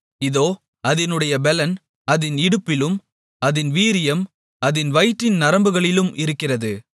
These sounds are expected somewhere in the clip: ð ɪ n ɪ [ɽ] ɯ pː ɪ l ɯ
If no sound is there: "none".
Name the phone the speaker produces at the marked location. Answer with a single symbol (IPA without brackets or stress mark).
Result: ɽ